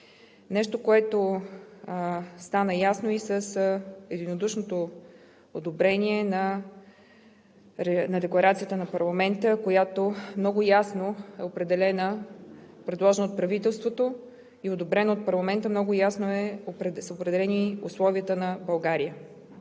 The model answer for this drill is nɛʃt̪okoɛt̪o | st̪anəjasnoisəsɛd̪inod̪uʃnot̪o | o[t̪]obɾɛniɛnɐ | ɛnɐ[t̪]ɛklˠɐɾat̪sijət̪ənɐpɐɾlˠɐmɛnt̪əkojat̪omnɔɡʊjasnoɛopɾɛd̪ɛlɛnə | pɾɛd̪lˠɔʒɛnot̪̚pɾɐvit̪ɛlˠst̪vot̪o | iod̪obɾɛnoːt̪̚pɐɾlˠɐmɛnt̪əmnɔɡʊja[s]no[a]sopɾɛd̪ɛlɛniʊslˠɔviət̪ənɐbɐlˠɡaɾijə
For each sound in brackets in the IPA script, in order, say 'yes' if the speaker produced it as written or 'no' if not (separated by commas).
no, no, yes, no